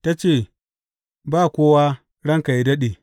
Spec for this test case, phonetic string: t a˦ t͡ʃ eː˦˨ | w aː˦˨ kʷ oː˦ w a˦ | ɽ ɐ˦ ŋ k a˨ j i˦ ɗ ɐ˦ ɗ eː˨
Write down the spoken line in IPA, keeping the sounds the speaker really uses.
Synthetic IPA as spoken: t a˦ t͡ʃ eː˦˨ | b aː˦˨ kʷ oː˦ w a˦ | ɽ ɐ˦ ŋ k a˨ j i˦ d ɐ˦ ɗ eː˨